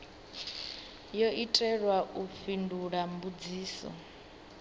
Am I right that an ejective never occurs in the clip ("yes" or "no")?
no